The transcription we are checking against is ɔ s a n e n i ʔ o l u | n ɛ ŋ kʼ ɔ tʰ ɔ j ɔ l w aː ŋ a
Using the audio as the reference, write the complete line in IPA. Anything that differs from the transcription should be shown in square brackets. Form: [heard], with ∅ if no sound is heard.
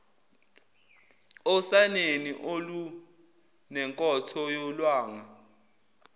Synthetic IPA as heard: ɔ s a n e n i ʔ o l u | n ɛ ŋ kʼ ɔ tʰ ɔ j ɔ l w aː ŋ a

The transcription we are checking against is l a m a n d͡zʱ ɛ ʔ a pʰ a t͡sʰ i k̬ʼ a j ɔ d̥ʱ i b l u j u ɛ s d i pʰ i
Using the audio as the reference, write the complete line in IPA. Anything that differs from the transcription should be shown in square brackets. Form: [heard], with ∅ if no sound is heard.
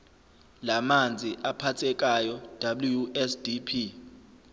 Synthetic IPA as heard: l a m a n d͡zʱ [i] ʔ a pʰ a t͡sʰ [ɛ] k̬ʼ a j ɔ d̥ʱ [a] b l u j u ɛ s d i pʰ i

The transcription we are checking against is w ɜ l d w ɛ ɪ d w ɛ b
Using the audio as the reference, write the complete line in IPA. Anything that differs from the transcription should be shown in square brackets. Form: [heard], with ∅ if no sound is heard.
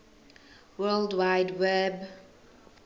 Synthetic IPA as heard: w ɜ l d w [a] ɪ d w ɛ b

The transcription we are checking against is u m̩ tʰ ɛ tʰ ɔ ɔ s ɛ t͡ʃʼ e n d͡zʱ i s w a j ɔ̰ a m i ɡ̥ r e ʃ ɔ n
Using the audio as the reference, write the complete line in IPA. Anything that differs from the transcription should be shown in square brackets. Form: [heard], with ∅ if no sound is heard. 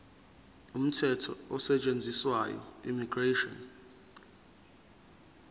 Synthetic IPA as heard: u m̩ tʰ ɛ tʰ ɔ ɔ s ɛ t͡ʃʼ e n d͡zʱ i s w a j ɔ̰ [i] m i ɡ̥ r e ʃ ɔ n

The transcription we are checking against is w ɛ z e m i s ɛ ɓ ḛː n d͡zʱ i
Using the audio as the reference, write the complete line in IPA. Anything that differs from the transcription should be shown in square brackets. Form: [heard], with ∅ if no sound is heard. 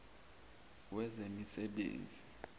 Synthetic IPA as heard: w ɛ z e m i s ɛ ɓ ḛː n d͡zʱ i

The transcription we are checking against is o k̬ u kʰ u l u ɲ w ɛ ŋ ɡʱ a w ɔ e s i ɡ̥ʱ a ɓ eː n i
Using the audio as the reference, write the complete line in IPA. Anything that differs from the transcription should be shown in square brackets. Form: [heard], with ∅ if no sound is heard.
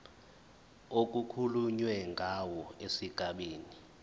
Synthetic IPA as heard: o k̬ u kʰ u l u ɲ w ɛ ŋ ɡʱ a w ɔ e s i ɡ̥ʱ a ɓ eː n i

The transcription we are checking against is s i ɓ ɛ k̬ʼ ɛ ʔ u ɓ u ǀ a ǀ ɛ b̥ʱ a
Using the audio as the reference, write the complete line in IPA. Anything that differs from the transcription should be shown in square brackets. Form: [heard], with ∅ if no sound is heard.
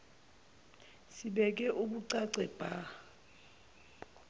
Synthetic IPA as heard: s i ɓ ɛ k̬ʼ ɛ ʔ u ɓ u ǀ a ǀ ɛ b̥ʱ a

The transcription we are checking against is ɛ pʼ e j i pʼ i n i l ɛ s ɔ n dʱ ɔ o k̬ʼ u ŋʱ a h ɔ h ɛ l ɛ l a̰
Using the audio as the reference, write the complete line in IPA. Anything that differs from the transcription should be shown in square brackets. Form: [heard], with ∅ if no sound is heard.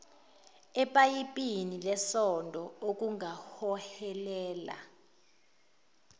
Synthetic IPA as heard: ɛ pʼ [a] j i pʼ i n i l ɛ s ɔ n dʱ ɔ o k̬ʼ u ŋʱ a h ɔ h ɛ l [ɛː] l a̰

